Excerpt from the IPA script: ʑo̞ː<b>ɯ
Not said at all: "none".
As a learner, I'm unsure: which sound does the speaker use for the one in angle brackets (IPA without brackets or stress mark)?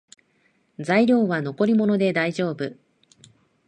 b